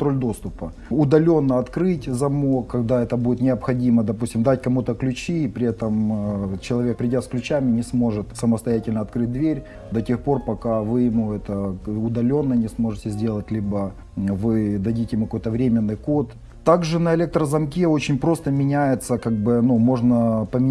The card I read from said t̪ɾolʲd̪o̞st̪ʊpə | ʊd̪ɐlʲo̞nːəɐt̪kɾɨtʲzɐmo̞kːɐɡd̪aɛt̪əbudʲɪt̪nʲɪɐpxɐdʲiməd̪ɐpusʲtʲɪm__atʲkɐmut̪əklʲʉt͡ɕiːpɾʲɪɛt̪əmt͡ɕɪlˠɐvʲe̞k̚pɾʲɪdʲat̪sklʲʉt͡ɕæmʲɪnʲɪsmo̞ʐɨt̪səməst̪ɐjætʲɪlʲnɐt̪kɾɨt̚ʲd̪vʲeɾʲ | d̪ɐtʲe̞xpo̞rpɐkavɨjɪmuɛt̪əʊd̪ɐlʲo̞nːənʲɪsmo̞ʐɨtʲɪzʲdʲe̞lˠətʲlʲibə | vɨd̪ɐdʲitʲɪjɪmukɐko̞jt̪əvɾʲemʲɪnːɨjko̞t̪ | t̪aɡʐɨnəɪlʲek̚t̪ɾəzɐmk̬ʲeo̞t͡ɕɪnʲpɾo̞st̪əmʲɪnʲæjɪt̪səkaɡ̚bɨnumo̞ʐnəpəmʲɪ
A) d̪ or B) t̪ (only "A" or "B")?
A